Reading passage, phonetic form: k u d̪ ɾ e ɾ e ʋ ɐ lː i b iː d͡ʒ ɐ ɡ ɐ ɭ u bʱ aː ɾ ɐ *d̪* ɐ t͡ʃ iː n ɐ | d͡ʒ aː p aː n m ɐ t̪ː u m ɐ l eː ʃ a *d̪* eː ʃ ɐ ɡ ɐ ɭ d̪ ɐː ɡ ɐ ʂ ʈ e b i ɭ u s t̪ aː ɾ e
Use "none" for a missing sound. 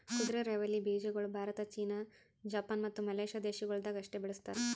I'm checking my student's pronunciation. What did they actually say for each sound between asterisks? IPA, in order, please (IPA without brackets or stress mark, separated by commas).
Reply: t̪, d̪